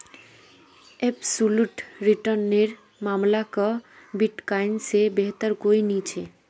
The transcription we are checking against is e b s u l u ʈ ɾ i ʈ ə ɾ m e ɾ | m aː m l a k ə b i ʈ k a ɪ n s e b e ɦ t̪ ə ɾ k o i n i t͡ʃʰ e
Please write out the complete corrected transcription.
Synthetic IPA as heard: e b s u l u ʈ ɾ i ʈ ə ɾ n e ɾ | m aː m l a k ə b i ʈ k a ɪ n s e b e ɦ t̪ ə ɾ k o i n i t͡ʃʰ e